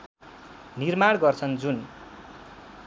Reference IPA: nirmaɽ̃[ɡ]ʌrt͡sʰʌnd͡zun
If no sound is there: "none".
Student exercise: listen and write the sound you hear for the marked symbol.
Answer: ɡ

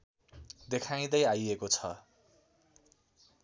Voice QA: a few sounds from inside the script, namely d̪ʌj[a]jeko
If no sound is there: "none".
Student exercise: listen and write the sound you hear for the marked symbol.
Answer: a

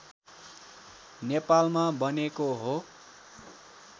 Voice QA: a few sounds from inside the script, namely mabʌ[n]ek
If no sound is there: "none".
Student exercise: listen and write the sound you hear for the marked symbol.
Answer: n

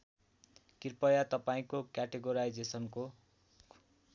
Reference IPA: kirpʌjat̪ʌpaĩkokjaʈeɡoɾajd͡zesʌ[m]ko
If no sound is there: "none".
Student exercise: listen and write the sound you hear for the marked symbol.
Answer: n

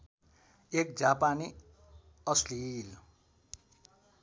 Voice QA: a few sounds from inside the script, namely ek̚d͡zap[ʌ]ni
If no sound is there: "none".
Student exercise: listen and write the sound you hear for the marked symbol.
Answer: a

